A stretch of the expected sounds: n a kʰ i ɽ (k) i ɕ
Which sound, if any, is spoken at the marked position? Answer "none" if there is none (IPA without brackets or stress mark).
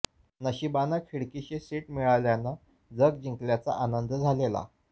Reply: k